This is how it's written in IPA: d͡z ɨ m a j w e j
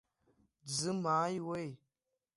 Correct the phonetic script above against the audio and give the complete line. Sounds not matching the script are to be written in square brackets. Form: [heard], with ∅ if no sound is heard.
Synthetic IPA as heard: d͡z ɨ m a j w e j